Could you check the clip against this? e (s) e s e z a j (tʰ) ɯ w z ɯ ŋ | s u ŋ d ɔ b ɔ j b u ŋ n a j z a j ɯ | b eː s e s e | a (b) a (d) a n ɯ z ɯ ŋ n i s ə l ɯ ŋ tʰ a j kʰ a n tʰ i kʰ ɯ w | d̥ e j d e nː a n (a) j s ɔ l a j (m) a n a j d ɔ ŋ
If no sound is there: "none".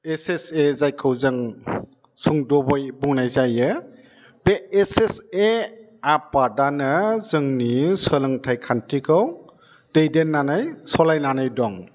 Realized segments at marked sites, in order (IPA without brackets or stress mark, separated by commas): s, kʰ, p, d, a, n